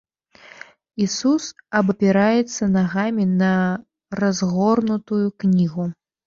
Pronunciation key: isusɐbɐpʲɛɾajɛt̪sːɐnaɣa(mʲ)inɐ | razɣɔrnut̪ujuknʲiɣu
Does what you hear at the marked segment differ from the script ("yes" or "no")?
no